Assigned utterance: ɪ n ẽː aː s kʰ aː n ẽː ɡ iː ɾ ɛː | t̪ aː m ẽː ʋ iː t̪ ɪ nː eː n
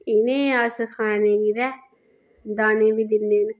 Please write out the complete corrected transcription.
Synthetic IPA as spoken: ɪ n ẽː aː s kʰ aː n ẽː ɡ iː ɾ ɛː | d̪ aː n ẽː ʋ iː d̪ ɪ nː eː n

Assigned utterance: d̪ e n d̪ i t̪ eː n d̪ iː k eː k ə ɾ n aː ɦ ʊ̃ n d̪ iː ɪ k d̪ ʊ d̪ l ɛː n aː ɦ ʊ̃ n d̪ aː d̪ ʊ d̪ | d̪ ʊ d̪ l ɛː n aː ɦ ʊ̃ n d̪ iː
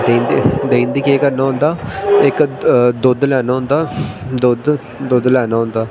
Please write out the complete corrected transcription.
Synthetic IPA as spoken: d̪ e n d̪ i d̪ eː n d̪ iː k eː k ə ɾ n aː ɦ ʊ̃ n d̪ aː ɪ k d̪ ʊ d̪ l ɛː n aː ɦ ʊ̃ n d̪ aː d̪ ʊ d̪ | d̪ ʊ d̪ l ɛː n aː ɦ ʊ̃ n d̪ aː

